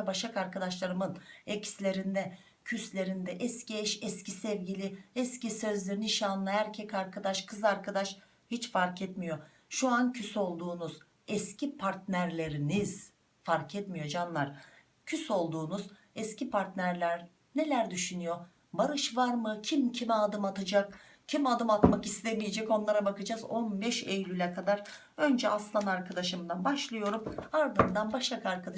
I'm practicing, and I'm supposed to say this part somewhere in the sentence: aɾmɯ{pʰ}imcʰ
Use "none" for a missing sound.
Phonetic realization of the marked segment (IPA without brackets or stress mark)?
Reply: cʰ